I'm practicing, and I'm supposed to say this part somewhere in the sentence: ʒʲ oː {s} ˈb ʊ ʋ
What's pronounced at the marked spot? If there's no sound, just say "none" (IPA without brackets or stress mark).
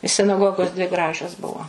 s